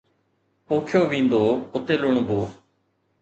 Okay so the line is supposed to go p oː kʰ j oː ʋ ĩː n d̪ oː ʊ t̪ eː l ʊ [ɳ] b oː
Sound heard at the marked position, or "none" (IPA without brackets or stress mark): ɳ